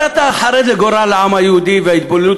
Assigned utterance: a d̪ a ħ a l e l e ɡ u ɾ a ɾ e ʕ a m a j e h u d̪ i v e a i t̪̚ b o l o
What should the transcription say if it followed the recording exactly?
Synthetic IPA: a t̪ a ħ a ɾ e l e ɡ o ɾ a l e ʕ a m a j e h u d̪ i v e a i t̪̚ b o l u